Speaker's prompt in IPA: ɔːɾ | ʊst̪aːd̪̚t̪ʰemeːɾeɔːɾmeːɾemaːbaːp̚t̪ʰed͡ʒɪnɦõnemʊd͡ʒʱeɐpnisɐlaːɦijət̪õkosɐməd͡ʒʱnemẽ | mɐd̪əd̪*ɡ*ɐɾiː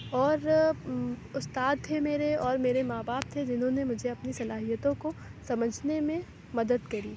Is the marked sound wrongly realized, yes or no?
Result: yes